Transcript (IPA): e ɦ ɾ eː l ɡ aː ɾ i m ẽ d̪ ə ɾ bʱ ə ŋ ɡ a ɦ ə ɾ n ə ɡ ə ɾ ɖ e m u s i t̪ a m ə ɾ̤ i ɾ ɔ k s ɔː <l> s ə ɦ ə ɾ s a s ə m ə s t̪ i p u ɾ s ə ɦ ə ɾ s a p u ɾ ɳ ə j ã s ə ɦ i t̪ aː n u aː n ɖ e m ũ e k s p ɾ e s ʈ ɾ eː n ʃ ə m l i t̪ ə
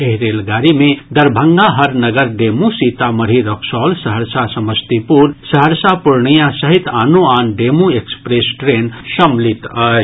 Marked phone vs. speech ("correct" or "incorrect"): correct